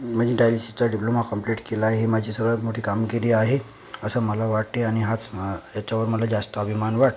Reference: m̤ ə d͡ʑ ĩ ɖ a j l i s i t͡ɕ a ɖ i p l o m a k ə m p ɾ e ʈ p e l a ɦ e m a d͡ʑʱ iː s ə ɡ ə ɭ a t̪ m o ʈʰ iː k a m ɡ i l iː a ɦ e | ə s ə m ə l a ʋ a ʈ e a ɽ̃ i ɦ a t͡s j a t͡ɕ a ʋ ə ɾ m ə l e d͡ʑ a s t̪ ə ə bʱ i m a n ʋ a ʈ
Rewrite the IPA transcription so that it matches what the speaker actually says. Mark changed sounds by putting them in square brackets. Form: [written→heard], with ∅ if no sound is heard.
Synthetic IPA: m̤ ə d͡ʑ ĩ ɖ a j l i s i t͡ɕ a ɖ i p l o m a k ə m p [ɾ→l] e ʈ [p→k] e l a ɦ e m a d͡ʑʱ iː s ə ɡ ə ɭ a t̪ m o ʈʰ iː k a m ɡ i [l→ɾ] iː a ɦ e | ə s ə m ə l a ʋ a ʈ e a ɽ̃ i ɦ a t͡s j a t͡ɕ a ʋ ə ɾ m ə l [e→a] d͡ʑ a s t̪ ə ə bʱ i m a n ʋ a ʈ

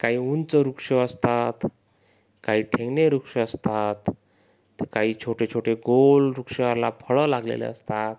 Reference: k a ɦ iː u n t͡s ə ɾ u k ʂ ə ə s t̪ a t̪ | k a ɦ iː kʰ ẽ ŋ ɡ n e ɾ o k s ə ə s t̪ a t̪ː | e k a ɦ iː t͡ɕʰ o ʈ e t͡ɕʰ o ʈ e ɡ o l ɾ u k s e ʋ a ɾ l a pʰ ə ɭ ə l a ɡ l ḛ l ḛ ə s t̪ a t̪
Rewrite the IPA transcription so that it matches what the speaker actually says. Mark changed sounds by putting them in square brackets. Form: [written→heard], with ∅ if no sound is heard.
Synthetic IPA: k a ɦ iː u n t͡s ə ɾ u k ʂ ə ə s t̪ a t̪ | k a ɦ iː [kʰ→ʈʰ] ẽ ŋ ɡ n e ɾ [o→u] k [s→ʂ] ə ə s t̪ a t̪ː | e k a ɦ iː t͡ɕʰ o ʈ e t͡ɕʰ o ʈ e ɡ o l ɾ u k [s→ʂ] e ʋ a ɾ l a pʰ ə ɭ ə l a ɡ l ḛ l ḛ ə s t̪ a t̪

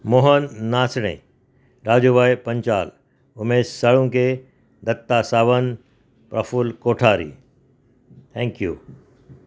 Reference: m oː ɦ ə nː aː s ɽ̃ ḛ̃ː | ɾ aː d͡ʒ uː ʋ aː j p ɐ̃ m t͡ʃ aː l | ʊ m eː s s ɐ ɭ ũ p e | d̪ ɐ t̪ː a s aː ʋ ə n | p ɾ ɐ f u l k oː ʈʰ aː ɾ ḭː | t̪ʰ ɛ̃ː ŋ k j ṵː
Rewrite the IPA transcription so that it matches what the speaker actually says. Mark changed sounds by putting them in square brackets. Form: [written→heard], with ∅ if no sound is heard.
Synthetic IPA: m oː ɦ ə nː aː s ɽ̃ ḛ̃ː | ɾ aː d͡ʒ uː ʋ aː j p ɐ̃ [m→ɲ] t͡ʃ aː l | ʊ m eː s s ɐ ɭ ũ [p→k] e | d̪ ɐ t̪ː a s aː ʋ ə n | p ɾ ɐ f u l k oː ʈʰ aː ɾ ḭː | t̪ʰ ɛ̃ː ŋ k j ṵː

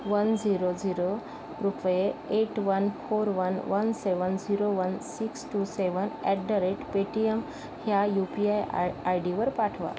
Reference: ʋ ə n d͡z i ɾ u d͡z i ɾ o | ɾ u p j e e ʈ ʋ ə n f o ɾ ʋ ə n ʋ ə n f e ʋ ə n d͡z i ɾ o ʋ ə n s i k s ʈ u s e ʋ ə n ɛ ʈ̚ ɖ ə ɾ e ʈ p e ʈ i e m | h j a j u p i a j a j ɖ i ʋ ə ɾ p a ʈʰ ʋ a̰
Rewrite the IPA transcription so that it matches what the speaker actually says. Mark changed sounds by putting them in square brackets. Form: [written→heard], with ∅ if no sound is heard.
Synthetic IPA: ʋ ə n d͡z i ɾ [u→o] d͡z i ɾ o | ɾ u p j e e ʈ ʋ ə n f o ɾ ʋ ə n ʋ ə n [f→s] e ʋ ə n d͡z i ɾ o ʋ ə n s i k s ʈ u s e ʋ ə n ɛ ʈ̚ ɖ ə ɾ e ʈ p e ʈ i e m | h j a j u p i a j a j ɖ i ʋ ə ɾ p a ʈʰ ʋ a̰

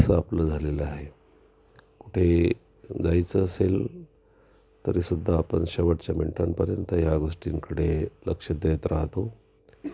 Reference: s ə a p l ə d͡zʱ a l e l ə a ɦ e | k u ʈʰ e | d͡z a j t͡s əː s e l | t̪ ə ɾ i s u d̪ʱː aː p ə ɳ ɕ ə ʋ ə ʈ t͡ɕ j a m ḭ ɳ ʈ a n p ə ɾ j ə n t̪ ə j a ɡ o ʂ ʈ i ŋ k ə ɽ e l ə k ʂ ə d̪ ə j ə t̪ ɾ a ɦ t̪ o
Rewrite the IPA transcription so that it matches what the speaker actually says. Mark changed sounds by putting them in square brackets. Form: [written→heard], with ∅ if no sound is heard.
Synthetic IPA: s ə a p l ə d͡zʱ a l e l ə a ɦ e | k u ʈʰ e | d͡z a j t͡s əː s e l | t̪ ə ɾ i s u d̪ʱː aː p ə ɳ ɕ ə ʋ ə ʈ t͡ɕ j a m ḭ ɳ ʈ a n p ə ɾ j ə n t̪ ə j a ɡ o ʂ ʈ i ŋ k ə ɽ e l ə k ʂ ə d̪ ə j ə t̪ ɾ a ɦ t̪ o

